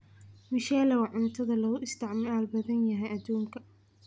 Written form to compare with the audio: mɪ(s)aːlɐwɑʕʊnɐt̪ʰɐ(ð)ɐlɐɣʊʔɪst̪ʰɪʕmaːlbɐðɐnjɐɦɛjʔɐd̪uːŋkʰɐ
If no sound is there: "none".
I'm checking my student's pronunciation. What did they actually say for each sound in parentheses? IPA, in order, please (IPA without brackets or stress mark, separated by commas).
ʃ, ð